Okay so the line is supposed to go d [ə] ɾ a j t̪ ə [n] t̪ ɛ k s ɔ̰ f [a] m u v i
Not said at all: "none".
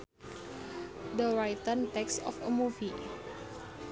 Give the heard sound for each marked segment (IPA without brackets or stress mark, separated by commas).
ə, n, ə